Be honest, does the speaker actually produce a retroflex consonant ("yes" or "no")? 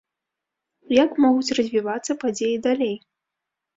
no